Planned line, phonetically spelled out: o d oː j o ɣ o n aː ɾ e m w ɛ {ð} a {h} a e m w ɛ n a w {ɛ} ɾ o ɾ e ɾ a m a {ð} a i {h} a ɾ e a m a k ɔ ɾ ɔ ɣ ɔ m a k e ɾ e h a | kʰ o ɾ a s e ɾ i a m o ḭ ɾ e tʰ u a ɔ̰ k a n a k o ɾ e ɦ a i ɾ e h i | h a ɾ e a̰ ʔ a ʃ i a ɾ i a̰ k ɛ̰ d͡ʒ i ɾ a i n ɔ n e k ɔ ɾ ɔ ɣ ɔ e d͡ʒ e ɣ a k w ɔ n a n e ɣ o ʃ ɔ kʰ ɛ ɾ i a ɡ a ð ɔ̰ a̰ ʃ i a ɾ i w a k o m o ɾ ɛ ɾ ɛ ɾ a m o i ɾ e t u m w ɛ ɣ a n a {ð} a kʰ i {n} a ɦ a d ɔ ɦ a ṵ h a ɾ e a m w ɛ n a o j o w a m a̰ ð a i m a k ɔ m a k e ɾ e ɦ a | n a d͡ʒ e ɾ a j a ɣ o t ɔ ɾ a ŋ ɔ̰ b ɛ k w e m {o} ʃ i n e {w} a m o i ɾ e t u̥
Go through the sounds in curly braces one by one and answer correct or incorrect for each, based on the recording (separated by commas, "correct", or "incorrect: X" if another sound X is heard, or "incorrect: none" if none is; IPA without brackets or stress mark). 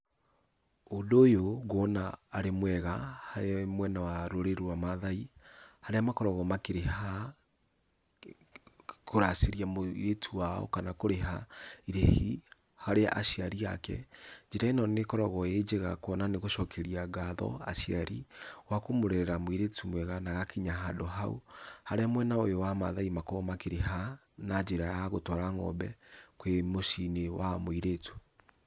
incorrect: ɣ, correct, incorrect: a, correct, correct, incorrect: ɣ, incorrect: ɲ, correct, correct